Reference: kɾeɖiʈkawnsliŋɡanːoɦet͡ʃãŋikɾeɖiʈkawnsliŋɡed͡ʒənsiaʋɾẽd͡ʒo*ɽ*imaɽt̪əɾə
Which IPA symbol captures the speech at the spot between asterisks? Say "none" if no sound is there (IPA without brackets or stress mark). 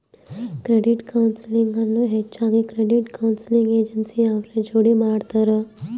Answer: ɽ